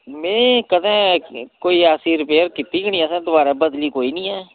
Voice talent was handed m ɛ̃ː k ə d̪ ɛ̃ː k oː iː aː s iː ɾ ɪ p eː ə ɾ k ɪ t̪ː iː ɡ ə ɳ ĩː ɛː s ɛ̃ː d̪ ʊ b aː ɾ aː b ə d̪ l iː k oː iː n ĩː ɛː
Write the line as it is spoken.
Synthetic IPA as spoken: m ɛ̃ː k ə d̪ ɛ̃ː k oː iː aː s iː ɾ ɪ p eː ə ɾ k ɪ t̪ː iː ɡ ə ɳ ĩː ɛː s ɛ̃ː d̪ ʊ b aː ɾ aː b ə d̪ l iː k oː iː n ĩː ɛː